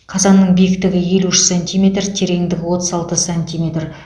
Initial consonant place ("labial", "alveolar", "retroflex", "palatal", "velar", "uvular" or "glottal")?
uvular